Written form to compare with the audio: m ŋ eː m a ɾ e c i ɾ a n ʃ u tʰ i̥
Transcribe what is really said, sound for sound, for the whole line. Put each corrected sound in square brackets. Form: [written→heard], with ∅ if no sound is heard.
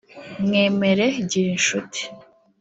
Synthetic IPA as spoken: m ŋ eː m [a→e] ɾ e [c→ɟ] i ɾ [a→i] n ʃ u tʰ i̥